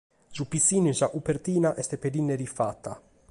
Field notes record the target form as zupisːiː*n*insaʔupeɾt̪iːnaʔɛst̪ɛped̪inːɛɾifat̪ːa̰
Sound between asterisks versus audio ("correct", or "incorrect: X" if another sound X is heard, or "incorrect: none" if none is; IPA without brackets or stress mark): correct